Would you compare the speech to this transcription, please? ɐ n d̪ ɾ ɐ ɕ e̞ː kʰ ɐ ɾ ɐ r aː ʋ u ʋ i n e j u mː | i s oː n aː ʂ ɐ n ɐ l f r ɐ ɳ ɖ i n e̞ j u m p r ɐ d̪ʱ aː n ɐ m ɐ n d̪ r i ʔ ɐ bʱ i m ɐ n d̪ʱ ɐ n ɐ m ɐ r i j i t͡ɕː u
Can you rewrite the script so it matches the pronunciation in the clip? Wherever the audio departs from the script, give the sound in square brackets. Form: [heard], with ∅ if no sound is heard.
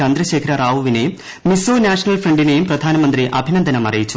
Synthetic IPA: ɐ n d̪ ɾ ɐ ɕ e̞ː kʰ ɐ ɾ ɐ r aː ʋ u ʋ i n e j u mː | i s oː n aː ʂ ɐ n ɐ l f r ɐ ɳ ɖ i n e̞ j u m p r ɐ d̪ʱ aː n ɐ m ɐ n d̪ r i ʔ ɐ bʱ i [n] ɐ n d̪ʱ ɐ n ɐ m ɐ r i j i t͡ɕː u